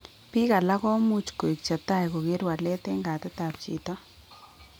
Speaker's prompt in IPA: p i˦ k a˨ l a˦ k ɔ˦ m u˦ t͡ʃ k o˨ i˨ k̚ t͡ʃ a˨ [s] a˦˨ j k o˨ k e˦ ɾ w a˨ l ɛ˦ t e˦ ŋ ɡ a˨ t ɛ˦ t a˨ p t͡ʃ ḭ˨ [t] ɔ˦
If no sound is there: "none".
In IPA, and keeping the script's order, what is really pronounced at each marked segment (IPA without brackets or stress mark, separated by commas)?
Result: t, t